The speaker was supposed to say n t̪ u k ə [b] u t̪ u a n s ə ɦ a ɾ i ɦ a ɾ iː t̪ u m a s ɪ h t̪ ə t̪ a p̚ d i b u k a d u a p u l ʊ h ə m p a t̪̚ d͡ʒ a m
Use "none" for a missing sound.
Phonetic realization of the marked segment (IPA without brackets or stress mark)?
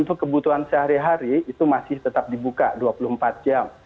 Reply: b